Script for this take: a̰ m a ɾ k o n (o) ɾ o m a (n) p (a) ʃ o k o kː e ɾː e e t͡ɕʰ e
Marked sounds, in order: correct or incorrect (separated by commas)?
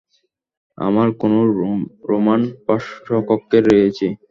correct, correct, correct